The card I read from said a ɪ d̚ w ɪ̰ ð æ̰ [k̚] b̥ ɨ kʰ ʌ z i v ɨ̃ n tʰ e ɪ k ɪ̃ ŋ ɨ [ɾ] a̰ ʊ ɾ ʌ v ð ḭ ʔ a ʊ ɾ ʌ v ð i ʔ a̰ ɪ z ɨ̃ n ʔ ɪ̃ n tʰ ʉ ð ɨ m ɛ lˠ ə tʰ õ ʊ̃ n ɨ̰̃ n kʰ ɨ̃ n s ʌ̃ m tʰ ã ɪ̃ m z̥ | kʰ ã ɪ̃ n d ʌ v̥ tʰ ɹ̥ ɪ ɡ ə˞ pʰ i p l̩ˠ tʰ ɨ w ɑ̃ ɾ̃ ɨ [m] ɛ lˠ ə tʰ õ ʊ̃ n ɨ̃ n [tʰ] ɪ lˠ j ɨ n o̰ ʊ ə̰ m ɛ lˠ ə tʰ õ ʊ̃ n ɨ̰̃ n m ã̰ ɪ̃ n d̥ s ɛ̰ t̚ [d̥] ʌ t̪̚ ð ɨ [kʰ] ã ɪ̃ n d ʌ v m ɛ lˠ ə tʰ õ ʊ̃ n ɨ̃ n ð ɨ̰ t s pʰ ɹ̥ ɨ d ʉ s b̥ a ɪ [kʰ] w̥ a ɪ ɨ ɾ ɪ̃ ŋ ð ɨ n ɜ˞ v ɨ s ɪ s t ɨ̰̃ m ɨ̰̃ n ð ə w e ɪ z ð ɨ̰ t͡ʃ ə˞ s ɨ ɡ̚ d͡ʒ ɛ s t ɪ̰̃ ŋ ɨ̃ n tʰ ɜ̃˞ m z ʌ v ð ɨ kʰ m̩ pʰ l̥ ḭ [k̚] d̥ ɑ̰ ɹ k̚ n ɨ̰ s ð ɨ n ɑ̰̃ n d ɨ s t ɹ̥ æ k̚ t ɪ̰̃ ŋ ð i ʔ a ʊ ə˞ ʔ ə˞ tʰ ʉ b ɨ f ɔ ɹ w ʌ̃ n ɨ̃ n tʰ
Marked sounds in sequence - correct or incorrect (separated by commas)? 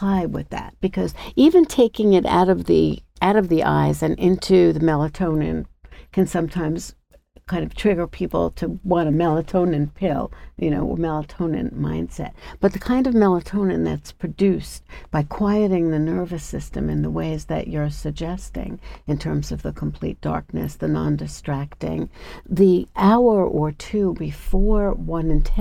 incorrect, correct, correct, incorrect, incorrect, correct, correct, incorrect